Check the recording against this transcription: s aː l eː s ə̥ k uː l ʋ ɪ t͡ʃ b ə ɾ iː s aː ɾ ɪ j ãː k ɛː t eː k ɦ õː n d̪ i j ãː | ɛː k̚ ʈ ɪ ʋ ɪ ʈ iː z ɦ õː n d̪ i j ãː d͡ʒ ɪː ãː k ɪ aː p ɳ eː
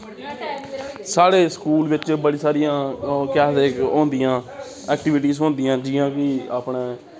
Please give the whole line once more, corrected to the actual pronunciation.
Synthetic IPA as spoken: s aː ɽ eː s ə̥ k uː l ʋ ɪ t͡ʃ b ə ɽ iː s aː ɾ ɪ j ãː k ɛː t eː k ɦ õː n d̪ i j ãː | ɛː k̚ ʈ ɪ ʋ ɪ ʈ iː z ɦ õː n d̪ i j ãː d͡ʒ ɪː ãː k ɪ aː p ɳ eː

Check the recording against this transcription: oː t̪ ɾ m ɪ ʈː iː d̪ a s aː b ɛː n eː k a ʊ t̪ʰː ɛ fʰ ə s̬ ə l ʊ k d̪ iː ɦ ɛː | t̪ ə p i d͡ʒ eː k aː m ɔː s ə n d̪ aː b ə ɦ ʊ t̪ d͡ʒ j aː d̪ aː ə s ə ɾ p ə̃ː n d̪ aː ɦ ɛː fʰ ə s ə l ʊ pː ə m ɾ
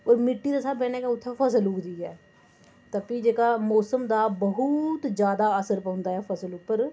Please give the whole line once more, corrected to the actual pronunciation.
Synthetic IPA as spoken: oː ɾ m ɪ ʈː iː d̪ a s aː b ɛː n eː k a ʊ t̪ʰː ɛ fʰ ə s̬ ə l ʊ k d̪ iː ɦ ɛː | t̪ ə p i d͡ʒ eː k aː m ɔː s ə m d̪ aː b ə ɦ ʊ t̪ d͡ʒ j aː d̪ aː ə s ə ɾ p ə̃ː n d̪ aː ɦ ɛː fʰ ə s ə l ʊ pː ə ɾ

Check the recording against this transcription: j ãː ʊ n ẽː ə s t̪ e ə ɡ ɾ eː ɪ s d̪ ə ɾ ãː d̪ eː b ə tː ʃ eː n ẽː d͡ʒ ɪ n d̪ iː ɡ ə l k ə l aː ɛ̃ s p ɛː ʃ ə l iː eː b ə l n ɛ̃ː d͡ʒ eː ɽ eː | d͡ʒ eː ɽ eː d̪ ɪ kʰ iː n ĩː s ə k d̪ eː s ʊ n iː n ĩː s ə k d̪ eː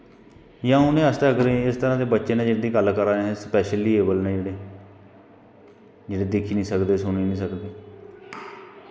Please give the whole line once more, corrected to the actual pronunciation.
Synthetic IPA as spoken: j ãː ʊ n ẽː ə s t̪ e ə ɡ ɾ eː ɪ s t̪ ə ɾ ãː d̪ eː b ə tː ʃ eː n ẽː d͡ʒ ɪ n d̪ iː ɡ ə l k ə ɾ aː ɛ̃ s p ɛː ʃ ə l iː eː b ə l n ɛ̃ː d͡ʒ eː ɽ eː | d͡ʒ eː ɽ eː d̪ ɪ kʰ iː n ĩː s ə k d̪ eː s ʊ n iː n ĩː s ə k d̪ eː

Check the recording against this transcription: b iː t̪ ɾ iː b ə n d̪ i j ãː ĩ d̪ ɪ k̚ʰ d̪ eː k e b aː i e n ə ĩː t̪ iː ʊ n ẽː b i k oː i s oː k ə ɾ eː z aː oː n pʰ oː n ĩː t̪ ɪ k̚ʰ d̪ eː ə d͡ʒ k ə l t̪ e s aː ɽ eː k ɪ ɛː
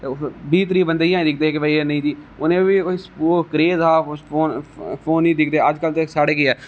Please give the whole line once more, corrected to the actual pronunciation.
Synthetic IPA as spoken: b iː t̪ ɾ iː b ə n d̪ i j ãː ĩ d̪ ɪ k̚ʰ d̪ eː k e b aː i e n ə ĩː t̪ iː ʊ n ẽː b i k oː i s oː k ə ɾ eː z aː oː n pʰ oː n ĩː d̪ ɪ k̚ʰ d̪ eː ə d͡ʒ k ə l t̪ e s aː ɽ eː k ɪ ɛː

